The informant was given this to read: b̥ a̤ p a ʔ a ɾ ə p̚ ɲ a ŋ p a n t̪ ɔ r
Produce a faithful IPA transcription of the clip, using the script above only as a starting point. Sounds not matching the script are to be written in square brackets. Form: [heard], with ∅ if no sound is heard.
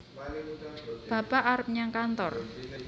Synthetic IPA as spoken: b̥ a̤ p a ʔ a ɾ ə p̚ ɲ a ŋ [k] a n t̪ ɔ r